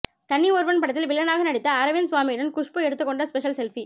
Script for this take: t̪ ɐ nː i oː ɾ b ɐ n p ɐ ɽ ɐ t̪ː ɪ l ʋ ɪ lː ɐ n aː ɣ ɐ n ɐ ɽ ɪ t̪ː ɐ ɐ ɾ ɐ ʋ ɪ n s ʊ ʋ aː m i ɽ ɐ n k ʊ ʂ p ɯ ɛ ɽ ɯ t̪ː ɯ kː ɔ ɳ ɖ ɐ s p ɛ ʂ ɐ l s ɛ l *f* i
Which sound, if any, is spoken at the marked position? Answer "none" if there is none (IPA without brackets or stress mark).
f